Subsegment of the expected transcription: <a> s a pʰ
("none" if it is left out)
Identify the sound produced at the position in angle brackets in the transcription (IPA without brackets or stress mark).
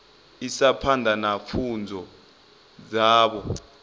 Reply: i